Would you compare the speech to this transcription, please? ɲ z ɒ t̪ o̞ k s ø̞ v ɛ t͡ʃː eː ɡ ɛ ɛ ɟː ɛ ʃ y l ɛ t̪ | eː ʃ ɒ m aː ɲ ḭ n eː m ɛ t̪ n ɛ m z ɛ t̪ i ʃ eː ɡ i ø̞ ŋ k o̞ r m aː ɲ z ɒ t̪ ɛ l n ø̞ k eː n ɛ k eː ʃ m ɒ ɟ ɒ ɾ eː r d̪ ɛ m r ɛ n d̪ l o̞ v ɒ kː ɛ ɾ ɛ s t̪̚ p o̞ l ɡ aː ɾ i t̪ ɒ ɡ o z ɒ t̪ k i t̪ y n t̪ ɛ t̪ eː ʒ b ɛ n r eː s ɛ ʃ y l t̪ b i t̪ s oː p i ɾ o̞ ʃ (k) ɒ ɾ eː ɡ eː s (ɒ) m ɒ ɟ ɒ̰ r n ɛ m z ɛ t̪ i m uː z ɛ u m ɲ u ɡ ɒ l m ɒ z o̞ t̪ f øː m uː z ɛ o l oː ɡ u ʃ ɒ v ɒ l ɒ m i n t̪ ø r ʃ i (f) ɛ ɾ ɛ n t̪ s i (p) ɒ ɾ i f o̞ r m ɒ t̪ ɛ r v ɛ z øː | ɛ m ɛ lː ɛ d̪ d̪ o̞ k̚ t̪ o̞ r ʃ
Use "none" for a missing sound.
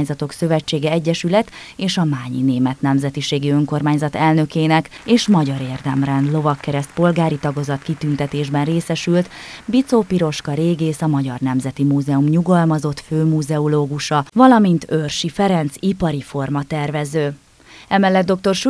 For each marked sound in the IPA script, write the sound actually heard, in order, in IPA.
k, ɒ, f, p

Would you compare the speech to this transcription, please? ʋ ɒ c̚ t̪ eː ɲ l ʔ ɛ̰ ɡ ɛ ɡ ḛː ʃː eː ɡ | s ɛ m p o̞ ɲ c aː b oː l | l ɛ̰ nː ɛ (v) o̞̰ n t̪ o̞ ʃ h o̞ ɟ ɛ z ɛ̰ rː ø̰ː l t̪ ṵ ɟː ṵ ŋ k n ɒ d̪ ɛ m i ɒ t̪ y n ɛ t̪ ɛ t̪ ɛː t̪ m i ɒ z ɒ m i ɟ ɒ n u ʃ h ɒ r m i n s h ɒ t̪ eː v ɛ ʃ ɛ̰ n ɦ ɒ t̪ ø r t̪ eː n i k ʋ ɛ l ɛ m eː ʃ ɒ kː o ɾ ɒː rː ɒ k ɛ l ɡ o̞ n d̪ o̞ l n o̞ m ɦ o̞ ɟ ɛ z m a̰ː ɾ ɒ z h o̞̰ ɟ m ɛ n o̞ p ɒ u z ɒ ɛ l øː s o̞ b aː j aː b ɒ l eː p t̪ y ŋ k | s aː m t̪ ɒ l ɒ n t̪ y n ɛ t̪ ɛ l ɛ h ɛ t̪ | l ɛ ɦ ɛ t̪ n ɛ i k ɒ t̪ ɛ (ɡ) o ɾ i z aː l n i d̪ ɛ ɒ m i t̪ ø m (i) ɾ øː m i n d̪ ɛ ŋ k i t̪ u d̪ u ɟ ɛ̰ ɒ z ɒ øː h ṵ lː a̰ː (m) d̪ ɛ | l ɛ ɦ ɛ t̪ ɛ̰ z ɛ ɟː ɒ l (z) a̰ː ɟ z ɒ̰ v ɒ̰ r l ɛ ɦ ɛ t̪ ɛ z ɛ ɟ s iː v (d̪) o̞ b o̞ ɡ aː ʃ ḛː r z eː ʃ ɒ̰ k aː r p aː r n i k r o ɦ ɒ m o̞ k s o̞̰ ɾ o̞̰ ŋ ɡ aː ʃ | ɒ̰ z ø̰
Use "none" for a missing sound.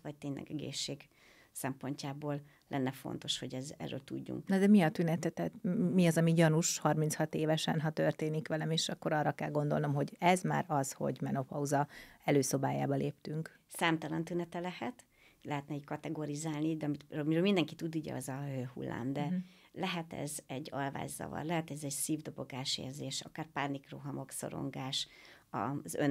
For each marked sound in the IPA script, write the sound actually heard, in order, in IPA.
f, ɡ, i, m, v, d̪

